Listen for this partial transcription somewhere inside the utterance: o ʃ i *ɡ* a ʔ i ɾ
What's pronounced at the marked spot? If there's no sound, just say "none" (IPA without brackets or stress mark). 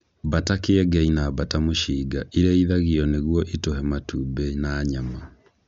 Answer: ɡ